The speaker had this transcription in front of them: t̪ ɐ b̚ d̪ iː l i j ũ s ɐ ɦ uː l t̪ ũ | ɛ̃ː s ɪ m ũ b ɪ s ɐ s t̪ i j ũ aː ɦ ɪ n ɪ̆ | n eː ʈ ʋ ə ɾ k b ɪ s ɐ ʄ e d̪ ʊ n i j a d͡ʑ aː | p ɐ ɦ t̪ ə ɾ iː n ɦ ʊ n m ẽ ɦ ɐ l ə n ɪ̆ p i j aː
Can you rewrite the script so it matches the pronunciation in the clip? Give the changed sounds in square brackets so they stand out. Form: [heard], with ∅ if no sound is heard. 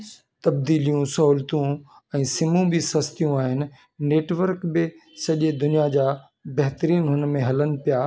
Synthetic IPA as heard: t̪ ɐ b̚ d̪ iː l i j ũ s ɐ ɦ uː l t̪ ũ | ɛ̃ː s ɪ m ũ b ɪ s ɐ s t̪ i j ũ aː ɦ ɪ n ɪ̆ | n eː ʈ ʋ ə ɾ k b ɪ s ɐ ʄ e d̪ ʊ n i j a d͡ʑ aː | [b] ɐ ɦ t̪ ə ɾ iː n ɦ ʊ n m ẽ ɦ ɐ l ə n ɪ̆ p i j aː